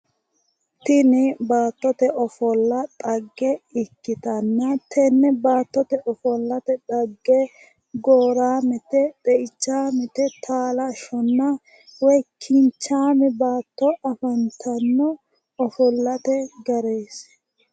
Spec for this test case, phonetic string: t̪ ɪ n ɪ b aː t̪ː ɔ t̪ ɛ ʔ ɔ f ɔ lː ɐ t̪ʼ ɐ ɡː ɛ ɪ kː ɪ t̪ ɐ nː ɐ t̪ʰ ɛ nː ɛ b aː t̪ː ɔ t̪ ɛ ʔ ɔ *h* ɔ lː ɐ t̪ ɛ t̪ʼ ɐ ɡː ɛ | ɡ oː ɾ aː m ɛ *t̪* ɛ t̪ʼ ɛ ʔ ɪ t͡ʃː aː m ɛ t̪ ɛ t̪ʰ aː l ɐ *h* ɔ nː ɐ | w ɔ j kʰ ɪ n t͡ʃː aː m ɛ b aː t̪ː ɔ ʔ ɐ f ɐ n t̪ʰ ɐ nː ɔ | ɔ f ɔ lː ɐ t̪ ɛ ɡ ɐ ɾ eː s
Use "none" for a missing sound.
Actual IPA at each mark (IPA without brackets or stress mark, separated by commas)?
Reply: f, t̪, ʃ